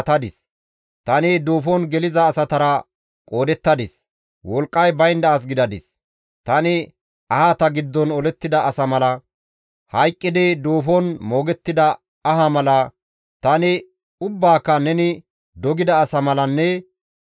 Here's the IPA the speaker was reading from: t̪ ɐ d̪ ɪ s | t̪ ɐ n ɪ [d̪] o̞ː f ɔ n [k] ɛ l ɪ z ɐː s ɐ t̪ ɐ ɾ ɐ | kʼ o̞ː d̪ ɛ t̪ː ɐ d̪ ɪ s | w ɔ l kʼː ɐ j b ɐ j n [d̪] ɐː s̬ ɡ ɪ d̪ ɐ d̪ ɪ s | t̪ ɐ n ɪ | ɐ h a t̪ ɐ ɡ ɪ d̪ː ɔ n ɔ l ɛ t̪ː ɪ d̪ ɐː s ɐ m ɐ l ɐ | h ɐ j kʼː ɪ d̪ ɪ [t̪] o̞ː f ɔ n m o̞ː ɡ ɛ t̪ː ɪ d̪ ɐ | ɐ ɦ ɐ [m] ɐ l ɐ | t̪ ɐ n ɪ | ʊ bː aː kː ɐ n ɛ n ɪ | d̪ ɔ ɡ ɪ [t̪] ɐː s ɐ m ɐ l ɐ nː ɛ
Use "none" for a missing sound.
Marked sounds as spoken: d̪, ɡ, d̪, d̪, m, d̪

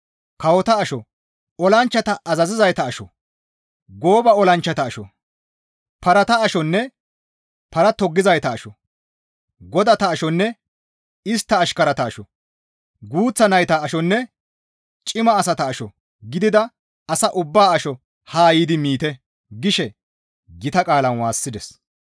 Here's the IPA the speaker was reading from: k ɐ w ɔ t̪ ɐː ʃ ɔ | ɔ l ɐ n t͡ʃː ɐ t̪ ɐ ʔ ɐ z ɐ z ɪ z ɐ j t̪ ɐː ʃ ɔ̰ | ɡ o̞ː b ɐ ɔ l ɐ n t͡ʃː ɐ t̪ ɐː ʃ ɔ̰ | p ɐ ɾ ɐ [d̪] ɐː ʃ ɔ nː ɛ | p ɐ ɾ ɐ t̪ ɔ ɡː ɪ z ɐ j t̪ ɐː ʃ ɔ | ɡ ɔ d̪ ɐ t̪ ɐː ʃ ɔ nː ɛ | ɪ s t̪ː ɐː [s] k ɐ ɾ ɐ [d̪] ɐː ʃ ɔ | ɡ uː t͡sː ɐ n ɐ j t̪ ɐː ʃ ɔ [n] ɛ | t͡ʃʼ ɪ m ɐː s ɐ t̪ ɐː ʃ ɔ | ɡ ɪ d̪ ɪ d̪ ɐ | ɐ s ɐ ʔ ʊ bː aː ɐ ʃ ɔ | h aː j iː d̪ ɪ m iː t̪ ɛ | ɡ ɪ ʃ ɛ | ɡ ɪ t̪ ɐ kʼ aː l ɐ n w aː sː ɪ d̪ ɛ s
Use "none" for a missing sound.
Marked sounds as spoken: t̪, ʃ, t̪, nː

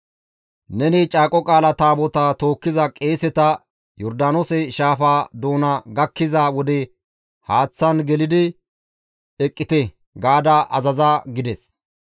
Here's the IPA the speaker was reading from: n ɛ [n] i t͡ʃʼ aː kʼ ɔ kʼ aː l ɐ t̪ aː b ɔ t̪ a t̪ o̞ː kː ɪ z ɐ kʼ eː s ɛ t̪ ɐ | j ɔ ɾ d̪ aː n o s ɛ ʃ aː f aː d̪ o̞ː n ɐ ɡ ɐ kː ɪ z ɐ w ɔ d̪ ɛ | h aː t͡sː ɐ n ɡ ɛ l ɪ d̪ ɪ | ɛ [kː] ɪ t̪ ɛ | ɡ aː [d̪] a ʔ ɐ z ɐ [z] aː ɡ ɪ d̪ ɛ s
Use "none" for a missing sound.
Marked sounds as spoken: n, kʼː, d̪, z

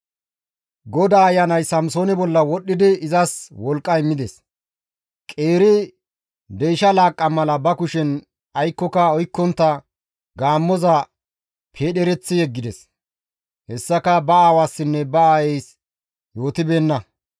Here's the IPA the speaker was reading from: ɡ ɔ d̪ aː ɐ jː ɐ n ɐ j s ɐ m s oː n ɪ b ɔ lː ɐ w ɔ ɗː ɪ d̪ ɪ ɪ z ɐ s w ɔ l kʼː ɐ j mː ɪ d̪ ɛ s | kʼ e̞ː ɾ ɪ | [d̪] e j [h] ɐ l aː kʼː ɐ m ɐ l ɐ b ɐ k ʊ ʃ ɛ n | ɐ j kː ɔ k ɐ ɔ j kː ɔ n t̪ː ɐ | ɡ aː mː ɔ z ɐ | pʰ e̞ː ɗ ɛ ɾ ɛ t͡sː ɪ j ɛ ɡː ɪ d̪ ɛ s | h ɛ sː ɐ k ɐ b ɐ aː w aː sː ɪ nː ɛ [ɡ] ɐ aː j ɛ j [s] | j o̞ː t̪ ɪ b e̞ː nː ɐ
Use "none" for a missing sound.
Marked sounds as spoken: d̪, ʃ, b, s

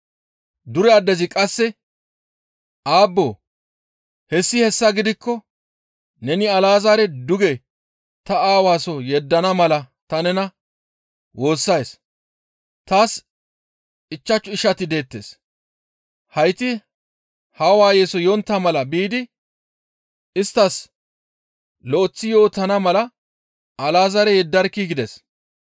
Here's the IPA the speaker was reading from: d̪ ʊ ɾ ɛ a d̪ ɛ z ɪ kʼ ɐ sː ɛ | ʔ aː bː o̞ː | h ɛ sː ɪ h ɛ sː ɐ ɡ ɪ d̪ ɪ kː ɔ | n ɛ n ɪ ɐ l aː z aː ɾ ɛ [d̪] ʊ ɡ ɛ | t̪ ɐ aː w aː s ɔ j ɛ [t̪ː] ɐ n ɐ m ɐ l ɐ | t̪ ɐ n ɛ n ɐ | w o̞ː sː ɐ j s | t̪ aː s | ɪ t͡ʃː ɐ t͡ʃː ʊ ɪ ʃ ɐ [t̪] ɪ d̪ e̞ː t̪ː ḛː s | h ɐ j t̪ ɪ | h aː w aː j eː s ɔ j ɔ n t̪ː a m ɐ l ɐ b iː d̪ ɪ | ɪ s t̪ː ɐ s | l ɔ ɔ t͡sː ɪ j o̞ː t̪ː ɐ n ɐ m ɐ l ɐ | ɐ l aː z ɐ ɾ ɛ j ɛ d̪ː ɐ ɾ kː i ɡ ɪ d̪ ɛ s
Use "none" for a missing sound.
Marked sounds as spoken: d̪, d̪ː, t̪

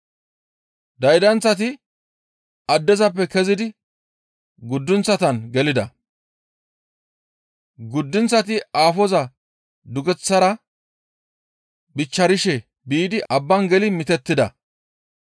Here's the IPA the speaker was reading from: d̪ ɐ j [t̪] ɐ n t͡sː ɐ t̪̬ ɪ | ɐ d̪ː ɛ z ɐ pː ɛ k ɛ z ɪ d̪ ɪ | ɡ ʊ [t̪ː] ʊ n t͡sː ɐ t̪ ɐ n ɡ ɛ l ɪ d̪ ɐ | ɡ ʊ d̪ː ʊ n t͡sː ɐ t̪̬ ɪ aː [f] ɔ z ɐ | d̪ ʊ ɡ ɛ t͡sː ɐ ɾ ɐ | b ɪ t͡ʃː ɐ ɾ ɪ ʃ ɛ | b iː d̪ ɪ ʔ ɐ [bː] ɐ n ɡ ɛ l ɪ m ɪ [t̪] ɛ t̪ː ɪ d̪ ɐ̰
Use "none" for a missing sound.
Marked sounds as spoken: d̪, d̪ː, f, bː, t̪

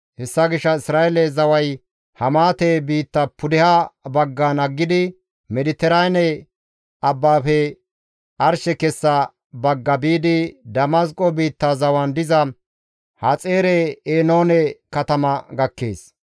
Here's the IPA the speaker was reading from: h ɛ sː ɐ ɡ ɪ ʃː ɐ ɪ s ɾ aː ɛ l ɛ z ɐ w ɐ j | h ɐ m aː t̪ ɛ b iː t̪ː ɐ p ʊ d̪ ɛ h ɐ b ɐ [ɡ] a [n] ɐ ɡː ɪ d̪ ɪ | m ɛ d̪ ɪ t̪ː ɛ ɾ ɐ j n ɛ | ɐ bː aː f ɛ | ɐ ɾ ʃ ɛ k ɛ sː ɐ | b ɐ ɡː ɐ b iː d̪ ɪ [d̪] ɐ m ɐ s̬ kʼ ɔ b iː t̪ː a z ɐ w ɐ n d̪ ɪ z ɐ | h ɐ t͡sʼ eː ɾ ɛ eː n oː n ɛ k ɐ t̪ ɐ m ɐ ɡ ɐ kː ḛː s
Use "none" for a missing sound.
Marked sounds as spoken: ɡː, n, d̪

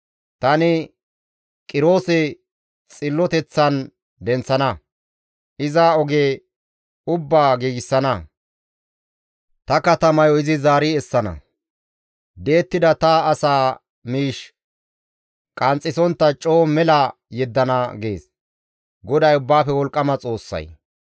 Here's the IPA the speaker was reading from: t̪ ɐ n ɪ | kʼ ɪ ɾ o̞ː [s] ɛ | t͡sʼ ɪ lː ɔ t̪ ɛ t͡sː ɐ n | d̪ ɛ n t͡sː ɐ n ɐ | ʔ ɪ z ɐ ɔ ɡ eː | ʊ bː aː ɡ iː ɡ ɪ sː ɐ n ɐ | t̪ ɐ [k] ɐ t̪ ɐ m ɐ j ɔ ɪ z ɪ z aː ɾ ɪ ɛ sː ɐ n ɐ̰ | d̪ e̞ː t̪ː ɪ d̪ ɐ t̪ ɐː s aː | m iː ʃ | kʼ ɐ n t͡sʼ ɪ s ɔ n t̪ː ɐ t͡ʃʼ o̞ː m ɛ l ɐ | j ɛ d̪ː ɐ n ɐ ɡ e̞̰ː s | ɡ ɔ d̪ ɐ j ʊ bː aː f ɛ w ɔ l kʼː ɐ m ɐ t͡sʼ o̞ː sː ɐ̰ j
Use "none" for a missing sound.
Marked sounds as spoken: s, k

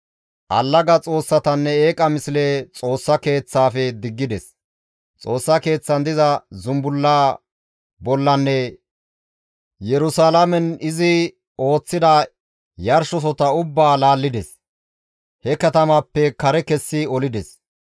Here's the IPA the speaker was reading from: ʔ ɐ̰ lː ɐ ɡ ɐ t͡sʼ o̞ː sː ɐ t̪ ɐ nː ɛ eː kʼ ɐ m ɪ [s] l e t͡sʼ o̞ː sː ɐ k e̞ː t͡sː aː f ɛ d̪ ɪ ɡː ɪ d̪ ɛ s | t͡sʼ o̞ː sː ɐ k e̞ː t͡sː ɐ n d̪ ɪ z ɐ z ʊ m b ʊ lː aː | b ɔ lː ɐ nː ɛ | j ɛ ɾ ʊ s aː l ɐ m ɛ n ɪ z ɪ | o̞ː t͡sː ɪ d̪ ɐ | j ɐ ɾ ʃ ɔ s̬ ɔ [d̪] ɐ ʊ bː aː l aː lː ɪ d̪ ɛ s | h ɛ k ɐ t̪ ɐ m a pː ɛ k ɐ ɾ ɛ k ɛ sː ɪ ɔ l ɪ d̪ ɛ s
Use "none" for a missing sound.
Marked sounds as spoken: s, t̪

